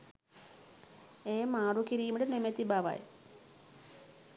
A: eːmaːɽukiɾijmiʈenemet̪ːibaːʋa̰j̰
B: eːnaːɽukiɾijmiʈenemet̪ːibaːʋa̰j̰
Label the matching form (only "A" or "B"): A